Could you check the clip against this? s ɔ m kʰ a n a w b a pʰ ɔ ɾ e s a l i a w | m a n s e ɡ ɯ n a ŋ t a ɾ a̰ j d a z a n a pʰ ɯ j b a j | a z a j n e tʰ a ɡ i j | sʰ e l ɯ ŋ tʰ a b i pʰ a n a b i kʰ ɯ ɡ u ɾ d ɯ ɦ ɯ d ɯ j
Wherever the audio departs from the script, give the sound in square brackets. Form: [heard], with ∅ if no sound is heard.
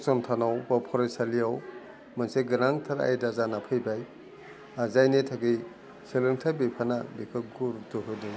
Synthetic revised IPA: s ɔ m [tʰ] a n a w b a pʰ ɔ ɾ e s a l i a w | m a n s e ɡ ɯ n a ŋ [tʰ] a ɾ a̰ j d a z a n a pʰ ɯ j b a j | a z a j n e tʰ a ɡ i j | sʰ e l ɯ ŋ tʰ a b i pʰ a n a b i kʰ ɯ ɡ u ɾ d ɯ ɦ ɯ d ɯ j